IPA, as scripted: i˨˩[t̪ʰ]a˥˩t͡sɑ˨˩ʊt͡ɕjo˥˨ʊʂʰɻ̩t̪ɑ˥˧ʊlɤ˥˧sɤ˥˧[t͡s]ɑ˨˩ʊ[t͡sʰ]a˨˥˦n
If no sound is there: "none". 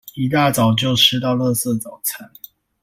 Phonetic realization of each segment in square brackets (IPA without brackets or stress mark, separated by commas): t̪, t͡s, t͡sʰ